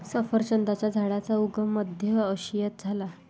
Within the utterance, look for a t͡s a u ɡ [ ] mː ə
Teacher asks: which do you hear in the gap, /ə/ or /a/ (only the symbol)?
ə